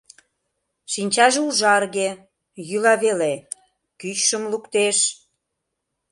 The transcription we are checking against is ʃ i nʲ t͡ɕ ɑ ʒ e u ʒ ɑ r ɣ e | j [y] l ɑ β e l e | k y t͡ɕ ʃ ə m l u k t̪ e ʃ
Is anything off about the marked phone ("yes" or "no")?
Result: no